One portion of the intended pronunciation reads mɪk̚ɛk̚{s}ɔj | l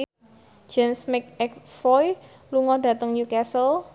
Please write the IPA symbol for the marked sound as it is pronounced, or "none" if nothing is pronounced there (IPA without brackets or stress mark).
f